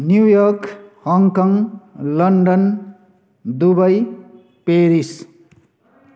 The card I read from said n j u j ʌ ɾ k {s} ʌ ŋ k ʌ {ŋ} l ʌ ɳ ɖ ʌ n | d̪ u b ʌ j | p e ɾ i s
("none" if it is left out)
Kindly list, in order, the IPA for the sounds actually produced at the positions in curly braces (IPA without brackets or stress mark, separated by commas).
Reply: h, ŋ